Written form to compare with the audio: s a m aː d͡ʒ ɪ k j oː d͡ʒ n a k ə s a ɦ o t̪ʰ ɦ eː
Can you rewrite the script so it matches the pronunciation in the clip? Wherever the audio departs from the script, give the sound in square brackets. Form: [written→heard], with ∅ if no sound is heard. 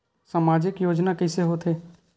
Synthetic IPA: s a m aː d͡ʒ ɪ k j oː d͡ʒ n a k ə s [a→e] ɦ o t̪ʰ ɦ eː